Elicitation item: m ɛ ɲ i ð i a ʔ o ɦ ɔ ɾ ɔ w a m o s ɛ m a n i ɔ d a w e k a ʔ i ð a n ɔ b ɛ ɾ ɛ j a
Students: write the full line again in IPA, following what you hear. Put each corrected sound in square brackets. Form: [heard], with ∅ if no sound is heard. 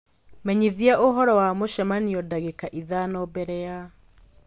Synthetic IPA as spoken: m ɛ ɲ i ð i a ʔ o ɦ ɔ ɾ ɔ w a m o [ʃ] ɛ m a n i ɔ d a [ɣ] e k a ʔ i ð a n ɔ b ɛ ɾ ɛ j a